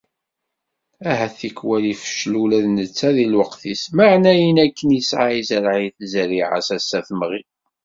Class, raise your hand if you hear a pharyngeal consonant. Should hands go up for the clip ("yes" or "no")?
yes